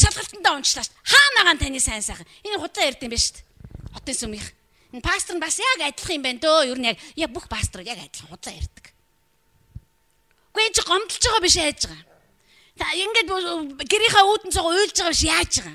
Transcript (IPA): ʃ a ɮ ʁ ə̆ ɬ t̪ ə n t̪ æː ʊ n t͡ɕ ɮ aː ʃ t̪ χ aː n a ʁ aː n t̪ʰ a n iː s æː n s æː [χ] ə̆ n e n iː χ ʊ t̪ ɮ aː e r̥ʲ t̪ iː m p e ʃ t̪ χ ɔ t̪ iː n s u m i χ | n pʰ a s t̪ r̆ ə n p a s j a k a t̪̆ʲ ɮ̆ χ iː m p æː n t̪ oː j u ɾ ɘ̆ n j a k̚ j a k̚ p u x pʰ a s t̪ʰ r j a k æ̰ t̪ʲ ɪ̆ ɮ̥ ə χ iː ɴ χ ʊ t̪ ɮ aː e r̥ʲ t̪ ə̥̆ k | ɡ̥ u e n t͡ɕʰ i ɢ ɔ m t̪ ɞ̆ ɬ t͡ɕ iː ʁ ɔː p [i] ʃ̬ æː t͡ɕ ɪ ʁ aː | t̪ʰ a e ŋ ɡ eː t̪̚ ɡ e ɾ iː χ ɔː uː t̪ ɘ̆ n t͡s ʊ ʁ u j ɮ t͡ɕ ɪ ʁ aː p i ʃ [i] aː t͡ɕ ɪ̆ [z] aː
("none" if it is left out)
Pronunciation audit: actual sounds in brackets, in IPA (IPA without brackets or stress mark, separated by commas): χ, i, j, ʁ